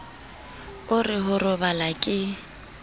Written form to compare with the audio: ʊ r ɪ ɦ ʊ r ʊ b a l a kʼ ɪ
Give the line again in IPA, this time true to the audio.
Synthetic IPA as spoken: ʊ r ɪ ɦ ʊ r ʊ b a l a kʼ ɪ